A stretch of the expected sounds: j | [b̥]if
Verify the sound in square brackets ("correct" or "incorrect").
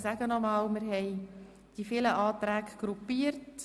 incorrect